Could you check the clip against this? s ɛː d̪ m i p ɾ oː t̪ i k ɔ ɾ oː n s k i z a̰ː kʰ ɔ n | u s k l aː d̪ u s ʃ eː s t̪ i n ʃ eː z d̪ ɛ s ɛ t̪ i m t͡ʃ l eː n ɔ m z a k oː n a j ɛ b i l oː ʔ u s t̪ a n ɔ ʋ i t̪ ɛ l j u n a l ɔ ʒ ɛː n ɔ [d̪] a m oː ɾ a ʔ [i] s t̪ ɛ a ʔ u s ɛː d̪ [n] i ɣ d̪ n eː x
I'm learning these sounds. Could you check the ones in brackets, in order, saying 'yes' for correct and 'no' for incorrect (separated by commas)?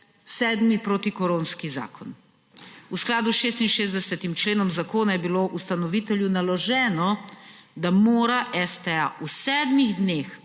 yes, no, no